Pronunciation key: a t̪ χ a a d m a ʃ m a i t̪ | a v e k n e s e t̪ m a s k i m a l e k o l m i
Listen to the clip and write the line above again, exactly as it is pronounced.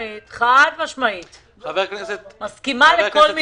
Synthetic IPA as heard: i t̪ χ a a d m a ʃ m a i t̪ | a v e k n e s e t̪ m a s k i m a l e k o l m i